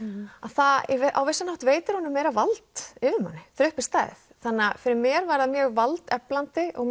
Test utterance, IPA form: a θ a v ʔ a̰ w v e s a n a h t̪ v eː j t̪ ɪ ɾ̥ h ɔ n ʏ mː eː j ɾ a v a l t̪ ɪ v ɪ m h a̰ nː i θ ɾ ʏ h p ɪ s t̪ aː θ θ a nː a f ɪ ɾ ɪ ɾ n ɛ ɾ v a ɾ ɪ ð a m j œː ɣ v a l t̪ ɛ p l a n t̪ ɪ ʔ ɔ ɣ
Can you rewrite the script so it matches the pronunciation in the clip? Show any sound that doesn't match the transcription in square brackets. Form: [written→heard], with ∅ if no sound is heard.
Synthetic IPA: a θ a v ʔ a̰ w v e s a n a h t̪ v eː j t̪ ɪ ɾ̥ h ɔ n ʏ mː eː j ɾ a v a l t̪ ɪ v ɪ m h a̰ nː [i→ɪ] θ ɾ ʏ h p ɪ s t̪ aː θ θ a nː a f ɪ ɾ ɪ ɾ [n→m] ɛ ɾ v a ɾ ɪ ð a m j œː ɣ v a l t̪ ɛ p l a n t̪ ɪ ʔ ɔ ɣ